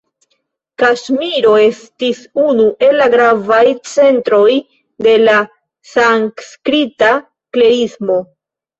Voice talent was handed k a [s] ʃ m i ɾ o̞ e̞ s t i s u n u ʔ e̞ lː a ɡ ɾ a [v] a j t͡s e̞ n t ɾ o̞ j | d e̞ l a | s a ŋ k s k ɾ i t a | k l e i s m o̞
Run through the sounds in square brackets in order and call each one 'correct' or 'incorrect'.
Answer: incorrect: none, correct

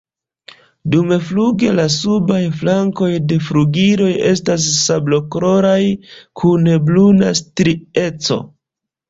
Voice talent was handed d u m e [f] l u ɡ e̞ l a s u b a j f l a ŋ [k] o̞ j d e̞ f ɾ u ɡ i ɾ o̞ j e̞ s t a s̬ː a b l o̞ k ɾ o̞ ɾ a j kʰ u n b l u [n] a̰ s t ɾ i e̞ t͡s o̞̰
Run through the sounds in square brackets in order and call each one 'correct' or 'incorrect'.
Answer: correct, correct, correct

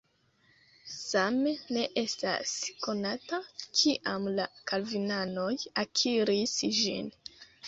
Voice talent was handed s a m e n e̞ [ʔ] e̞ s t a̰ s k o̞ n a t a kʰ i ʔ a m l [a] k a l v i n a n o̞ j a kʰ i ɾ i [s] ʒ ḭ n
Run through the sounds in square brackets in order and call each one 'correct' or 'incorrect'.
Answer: correct, correct, correct

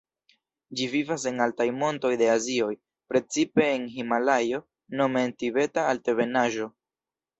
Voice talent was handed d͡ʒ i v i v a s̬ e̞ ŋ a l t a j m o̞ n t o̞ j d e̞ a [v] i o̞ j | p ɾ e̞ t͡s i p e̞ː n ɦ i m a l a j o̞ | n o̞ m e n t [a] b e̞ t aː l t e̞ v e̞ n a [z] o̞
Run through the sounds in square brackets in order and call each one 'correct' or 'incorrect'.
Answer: incorrect: z, incorrect: i, incorrect: ʒ

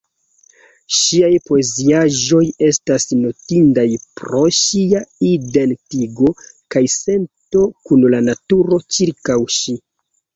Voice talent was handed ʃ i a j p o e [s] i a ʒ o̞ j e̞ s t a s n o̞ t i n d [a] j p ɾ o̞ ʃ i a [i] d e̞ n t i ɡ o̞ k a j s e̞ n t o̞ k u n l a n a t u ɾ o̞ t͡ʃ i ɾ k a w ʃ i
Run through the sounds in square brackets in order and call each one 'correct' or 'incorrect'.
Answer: incorrect: z, correct, correct

